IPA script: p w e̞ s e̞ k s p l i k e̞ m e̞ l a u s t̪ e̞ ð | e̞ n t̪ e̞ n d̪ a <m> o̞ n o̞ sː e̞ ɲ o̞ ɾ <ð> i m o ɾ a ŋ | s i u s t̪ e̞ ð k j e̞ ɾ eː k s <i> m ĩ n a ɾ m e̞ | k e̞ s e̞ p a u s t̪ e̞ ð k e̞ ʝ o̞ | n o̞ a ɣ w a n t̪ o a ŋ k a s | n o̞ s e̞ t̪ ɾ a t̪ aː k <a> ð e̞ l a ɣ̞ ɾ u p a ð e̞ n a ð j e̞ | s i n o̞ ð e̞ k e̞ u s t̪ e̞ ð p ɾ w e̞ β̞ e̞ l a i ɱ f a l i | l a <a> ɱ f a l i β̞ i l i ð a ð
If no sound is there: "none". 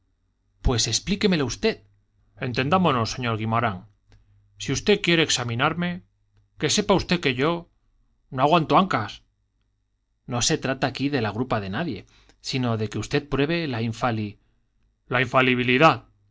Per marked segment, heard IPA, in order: m, ɣ, a, i, i

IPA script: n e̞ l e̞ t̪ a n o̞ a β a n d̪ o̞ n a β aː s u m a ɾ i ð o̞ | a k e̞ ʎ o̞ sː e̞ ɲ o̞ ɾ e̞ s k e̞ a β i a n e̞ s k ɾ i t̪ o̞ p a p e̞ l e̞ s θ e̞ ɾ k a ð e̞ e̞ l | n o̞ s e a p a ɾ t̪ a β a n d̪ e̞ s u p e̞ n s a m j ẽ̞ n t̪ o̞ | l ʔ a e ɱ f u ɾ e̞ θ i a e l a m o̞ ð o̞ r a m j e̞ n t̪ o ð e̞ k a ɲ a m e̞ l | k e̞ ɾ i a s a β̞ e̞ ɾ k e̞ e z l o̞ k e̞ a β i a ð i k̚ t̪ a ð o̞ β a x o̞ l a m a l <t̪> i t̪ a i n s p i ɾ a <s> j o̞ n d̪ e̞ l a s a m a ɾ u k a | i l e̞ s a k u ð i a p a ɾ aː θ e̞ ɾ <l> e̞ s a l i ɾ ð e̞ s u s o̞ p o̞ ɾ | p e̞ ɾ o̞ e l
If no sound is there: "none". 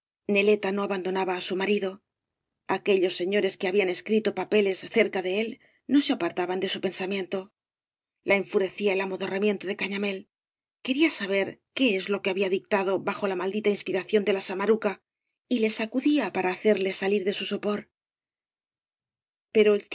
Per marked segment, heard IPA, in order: d̪, θ, l

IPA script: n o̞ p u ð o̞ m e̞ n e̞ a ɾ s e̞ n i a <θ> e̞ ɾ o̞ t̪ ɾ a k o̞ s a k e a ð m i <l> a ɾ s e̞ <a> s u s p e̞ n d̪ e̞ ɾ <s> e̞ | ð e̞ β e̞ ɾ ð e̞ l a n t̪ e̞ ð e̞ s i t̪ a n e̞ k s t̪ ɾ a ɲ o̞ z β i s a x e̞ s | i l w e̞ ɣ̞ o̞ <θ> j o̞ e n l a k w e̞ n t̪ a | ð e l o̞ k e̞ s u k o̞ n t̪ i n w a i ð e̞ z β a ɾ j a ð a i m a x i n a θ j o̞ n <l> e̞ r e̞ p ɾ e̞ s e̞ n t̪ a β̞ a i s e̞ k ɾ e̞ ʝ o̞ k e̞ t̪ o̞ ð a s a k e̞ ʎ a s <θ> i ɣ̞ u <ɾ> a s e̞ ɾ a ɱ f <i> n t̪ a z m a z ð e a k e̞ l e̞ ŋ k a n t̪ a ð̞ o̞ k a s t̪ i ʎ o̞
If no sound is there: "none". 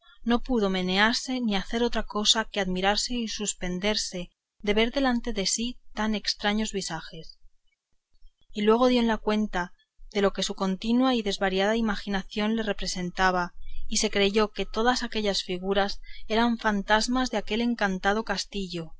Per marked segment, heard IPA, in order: θ, ɾ, i, s, ð, l, f, ɾ, a

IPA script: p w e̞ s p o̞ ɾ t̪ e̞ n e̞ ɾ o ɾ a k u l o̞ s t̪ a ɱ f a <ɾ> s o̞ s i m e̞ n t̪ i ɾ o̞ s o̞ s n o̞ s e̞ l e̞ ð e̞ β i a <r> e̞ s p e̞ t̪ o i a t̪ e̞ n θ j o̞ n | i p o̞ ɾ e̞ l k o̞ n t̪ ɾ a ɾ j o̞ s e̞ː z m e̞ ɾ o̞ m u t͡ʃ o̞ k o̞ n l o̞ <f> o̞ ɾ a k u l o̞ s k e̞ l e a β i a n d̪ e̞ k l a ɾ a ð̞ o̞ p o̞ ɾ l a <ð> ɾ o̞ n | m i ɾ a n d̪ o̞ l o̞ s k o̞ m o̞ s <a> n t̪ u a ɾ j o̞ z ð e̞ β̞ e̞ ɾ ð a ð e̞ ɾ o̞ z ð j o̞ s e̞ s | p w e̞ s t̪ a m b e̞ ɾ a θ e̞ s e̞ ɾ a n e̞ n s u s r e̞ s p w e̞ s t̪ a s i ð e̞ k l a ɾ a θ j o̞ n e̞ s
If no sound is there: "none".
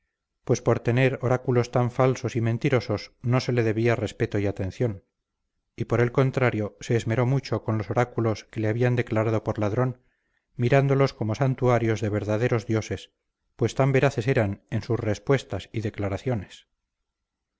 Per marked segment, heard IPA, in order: l, r, s, ð, a

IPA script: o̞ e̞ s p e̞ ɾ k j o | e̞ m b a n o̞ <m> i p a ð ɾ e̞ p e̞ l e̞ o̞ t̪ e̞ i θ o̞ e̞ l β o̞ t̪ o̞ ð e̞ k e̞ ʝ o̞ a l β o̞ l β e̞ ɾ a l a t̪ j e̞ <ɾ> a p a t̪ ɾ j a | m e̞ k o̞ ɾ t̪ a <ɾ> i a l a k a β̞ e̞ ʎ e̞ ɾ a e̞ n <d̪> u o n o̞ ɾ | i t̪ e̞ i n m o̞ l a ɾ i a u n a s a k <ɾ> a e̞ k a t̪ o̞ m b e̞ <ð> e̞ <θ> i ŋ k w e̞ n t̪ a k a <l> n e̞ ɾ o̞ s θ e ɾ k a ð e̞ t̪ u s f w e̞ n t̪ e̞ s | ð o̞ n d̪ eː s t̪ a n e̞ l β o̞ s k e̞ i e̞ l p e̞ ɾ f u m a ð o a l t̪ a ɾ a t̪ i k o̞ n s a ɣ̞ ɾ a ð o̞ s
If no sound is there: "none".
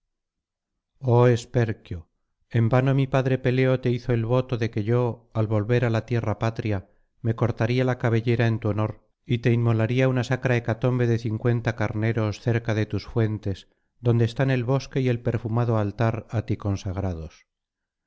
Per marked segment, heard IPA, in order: m, r, ɾ, t̪, ɾ, ð, θ, ɾ

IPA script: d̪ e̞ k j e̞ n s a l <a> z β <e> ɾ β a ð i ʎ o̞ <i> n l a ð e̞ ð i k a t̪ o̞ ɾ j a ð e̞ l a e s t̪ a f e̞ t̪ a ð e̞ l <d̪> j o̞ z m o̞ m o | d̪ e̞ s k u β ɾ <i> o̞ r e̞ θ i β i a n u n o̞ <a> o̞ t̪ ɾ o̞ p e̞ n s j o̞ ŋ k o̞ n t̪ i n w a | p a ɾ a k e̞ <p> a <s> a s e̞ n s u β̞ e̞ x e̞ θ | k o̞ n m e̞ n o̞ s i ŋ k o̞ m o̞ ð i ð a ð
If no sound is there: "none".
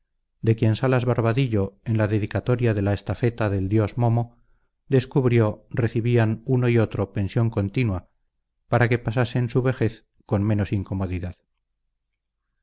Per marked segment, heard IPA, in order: a, a, e, d̪, j, i, p, s

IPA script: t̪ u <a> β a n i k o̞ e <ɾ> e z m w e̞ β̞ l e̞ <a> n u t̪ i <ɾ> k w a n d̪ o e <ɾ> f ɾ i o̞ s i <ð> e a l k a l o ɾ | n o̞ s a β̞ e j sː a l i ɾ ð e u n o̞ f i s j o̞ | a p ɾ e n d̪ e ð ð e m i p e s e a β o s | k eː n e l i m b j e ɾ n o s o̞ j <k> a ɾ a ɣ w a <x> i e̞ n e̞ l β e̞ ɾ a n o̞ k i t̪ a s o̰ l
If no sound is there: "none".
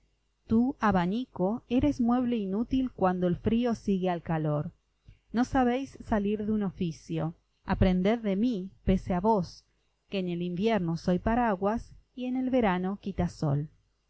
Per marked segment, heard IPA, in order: a, ɾ, i, l, l, ɣ, p, s

